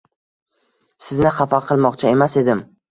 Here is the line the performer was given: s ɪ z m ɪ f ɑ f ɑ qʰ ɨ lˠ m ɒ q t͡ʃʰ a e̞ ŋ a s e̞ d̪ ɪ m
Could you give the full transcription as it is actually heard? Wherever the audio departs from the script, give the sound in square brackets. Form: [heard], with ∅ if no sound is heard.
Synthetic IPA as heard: s ɪ z [n] ɪ [χ] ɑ f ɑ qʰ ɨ lˠ m ɒ q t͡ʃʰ a e̞ [m] a s e̞ d̪ ɪ m